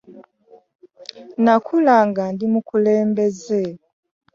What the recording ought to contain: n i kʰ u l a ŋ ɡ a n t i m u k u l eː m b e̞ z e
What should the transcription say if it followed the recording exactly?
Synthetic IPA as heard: n a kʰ u l a ŋ ɡ a n d i m u k u l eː m b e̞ z e